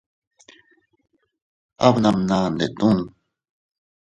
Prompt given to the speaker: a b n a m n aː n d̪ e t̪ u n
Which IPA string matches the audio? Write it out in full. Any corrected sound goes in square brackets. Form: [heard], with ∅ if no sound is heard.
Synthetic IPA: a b n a m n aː n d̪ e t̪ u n